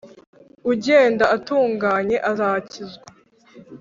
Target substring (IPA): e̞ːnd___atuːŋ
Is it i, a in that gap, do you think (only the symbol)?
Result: a